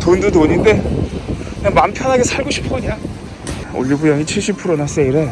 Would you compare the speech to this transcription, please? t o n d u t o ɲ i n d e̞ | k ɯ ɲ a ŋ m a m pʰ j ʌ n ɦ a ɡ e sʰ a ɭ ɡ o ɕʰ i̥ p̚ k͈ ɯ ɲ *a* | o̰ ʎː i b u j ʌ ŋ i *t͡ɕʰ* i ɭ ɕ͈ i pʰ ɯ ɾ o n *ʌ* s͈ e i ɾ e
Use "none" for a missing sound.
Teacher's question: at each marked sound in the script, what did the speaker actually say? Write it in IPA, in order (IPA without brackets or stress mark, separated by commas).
a, t͡ɕʰ, a